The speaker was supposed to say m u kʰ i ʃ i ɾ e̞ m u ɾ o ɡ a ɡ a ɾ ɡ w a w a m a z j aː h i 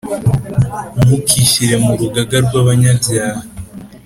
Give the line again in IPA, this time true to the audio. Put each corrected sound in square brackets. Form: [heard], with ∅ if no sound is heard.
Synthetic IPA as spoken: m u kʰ i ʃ i ɾ e̞ m u ɾ [u] ɡ a ɡ a ɾ ɡ w a [β] a [ɲ] a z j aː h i